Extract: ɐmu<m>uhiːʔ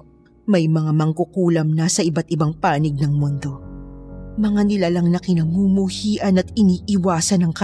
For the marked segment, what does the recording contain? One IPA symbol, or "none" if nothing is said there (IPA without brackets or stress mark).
m